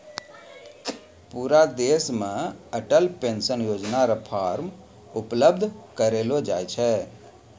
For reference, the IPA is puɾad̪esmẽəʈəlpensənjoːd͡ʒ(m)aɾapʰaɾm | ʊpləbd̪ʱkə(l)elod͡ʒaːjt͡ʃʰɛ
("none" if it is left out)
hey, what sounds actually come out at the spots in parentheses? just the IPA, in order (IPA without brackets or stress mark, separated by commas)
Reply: n, ɾ